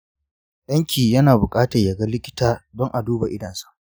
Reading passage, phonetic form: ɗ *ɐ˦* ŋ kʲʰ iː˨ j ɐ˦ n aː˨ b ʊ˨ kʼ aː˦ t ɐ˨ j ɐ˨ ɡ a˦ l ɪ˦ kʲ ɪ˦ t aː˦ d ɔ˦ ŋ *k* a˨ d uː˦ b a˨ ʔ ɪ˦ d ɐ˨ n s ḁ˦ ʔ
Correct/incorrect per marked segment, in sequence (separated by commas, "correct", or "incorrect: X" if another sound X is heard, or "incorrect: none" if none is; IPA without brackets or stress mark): correct, incorrect: ʔ